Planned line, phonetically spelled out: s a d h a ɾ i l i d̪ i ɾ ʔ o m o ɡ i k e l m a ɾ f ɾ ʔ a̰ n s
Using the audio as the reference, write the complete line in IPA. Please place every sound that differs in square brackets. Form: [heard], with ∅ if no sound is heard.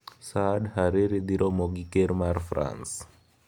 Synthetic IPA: s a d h a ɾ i [ɾ] i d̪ i ɾ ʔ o m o ɡ i k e [ɾ] m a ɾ f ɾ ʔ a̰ n s